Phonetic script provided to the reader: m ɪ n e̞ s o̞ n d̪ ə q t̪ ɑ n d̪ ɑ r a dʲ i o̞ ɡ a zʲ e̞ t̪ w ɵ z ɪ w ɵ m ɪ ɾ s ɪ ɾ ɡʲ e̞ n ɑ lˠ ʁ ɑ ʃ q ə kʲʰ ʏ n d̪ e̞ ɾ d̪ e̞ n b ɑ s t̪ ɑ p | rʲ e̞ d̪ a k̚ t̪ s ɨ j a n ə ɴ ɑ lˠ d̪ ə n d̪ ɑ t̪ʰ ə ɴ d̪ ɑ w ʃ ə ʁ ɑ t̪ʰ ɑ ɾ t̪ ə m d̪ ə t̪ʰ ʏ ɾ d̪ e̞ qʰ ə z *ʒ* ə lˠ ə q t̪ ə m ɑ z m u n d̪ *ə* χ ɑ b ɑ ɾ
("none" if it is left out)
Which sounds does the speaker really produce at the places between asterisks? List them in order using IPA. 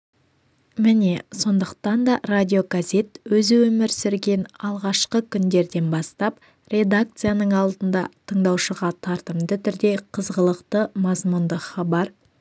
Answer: ʁ, ə

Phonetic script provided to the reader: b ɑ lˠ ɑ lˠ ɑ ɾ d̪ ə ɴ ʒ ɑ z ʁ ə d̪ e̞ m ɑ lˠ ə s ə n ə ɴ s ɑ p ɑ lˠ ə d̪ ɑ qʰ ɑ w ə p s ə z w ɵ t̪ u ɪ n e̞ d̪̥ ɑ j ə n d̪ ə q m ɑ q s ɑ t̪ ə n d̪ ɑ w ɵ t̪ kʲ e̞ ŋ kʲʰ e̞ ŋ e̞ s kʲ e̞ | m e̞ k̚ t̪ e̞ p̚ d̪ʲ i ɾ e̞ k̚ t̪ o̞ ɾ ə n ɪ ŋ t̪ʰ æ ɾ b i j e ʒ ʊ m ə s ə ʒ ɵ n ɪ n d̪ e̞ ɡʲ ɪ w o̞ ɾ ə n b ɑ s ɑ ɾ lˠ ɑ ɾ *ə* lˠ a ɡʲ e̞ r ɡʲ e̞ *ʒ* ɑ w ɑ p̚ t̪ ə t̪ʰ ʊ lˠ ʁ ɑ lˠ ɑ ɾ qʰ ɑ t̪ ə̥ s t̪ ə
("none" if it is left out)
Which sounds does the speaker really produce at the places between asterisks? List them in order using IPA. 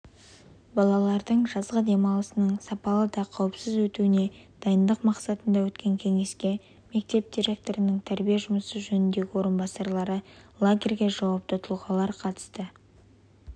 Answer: ə, ʒ

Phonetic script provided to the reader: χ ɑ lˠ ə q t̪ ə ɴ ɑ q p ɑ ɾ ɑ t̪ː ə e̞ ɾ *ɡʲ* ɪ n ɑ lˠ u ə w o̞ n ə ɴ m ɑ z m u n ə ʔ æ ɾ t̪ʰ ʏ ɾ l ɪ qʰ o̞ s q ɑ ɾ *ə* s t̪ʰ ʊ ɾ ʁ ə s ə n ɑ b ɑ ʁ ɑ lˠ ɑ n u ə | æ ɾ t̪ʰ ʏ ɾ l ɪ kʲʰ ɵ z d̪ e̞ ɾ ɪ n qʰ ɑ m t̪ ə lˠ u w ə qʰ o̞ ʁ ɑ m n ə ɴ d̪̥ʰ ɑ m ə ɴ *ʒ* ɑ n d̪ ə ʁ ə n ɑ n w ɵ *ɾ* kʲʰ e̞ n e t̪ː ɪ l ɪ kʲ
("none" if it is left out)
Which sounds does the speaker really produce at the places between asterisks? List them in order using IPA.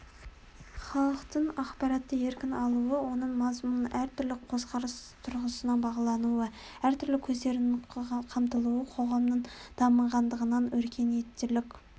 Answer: kʲ, ə, ʁ, ɾ

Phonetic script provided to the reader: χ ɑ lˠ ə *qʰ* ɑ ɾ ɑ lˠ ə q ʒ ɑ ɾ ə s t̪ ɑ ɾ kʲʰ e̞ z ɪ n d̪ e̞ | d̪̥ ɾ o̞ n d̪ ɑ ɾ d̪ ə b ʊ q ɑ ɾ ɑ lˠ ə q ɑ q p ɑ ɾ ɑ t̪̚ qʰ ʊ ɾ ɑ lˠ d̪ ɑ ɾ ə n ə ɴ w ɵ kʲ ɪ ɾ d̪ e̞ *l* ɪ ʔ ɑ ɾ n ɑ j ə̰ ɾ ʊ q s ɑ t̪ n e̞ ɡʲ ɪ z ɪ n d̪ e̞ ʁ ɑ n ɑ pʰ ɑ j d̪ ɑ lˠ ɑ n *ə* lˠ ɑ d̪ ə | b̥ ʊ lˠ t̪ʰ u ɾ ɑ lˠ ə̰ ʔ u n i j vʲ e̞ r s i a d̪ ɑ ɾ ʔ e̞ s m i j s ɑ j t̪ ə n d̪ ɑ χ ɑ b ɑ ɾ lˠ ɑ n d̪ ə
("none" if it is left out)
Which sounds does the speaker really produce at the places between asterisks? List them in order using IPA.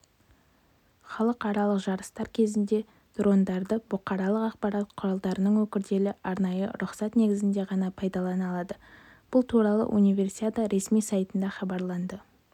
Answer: q, l, ɑ

